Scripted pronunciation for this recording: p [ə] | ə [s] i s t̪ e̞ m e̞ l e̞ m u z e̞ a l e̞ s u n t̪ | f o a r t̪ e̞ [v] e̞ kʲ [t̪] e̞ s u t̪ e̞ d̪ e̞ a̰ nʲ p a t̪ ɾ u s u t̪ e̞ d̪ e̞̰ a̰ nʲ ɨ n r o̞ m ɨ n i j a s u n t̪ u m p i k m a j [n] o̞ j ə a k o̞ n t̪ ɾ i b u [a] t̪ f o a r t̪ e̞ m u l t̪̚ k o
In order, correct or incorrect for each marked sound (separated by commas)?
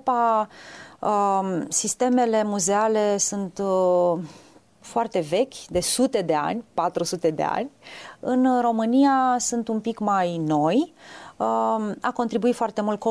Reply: incorrect, correct, correct, incorrect, correct, incorrect